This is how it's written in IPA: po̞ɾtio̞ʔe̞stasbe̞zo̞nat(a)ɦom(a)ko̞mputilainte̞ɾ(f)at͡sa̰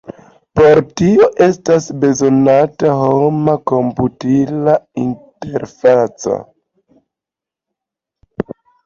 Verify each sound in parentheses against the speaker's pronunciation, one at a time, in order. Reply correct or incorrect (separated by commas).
correct, correct, correct